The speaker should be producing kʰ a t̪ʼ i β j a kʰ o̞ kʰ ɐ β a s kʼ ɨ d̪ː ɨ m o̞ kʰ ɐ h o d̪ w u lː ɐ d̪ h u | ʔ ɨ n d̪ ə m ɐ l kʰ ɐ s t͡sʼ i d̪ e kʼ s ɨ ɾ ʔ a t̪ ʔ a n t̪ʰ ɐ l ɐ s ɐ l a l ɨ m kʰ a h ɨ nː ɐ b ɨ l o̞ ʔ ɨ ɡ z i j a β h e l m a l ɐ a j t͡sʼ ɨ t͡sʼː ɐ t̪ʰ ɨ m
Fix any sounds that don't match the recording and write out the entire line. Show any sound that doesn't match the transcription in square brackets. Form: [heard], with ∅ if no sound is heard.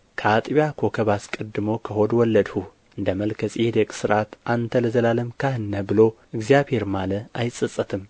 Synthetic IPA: kʰ a t̪ʼ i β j a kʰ o̞ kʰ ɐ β a s kʼ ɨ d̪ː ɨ m o̞ kʰ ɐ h o d̪ w [ɔ] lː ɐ d̪ h u | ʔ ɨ n d̪ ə m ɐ l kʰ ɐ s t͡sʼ i d̪ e kʼ s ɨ ɾ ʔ a t̪ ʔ a n t̪ʰ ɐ l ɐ [z] ɐ l a l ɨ m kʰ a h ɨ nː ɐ b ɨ l o̞ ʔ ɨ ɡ z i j a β h e [ɾ] m a l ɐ a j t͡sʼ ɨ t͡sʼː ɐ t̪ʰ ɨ m

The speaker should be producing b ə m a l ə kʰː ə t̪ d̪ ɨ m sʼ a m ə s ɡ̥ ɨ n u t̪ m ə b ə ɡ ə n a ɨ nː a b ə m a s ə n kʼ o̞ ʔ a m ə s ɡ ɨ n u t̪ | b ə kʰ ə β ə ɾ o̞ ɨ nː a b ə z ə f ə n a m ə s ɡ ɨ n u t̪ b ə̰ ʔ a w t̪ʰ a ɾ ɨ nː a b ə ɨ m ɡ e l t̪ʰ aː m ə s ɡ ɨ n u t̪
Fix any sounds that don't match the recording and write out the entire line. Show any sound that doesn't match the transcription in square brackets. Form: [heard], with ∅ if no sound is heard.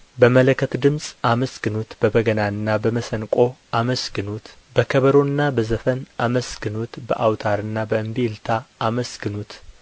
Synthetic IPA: b ə m [ə] l ə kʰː ə t̪ d̪ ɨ m sʼ a m ə s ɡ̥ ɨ n u t̪ [b] ə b ə ɡ ə n a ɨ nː a b ə m [ə] s ə n kʼ o̞ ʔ a m ə s ɡ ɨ n u t̪ | b ə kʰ ə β ə ɾ o̞ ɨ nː a b ə z ə f ə n a m ə s ɡ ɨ n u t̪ b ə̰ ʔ a w t̪ʰ a ɾ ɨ nː a b ə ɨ m [b] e l t̪ʰ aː m ə s ɡ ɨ n u t̪

